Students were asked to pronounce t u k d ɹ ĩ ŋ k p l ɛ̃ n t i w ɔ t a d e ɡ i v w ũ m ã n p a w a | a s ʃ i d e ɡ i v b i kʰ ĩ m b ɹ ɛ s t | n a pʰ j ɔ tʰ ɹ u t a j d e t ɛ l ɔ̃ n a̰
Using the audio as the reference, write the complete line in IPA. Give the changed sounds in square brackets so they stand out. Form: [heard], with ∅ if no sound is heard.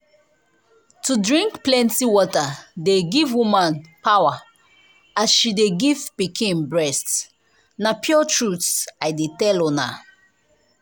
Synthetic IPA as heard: t u [∅] d ɹ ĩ ŋ k p l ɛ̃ n t i w ɔ t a d e ɡ i v w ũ m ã n p a w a | a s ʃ i d e ɡ i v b i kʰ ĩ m b ɹ ɛ s t | n a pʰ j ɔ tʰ ɹ u t a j d e t ɛ l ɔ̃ n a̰